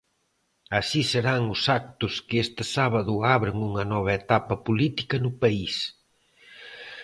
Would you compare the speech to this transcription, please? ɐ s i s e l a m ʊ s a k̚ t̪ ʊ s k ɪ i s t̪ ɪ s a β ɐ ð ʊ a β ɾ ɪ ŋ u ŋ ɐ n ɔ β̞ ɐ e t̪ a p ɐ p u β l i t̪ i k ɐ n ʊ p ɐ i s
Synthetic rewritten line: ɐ s i s e ɾ a ŋ ʊ s a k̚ t̪ ʊ s k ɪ e s t̪ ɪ s a β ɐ ð ʊ a β ɾ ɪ ŋ u ŋ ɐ n ɔ β̞ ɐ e t̪ a p ɐ p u l i t̪ i k ɐ n ʊ p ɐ i s

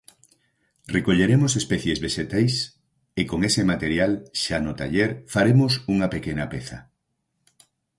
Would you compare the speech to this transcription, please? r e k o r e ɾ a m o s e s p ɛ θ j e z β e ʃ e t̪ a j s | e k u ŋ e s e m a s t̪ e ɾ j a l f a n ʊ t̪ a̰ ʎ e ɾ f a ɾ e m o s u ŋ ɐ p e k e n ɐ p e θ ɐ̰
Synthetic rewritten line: r e k o ʎ e ɾ e m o s e s p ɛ θ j e z β e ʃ e t̪ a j s | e k o ŋ e s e m a t̪ e ɾ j a l ʃ a n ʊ t̪ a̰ ʎ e ɾ f a ɾ e m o s u ŋ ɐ p e k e n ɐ p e θ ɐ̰

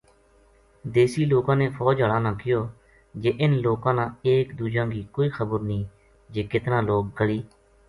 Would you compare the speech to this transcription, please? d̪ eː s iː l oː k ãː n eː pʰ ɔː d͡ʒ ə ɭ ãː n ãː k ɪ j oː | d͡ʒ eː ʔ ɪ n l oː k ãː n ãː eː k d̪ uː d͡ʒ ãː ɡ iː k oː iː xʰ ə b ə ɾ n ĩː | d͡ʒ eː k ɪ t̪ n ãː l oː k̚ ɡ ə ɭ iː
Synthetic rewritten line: d̪ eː s iː l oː k ãː n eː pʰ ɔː d͡ʒ ə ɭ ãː n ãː k ɪ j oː | d͡ʒ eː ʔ ɪ n l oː k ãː n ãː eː k d̪ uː d͡ʒ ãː ɡ iː k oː iː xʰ ə b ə ɾ n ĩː | d͡ʒ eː k ɪ t̪ n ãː l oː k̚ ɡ ə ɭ iː

